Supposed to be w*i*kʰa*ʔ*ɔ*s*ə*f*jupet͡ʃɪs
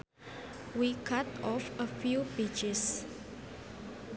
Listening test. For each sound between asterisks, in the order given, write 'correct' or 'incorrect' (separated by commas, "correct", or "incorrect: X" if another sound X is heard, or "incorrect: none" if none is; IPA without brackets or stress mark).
correct, incorrect: t, incorrect: f, correct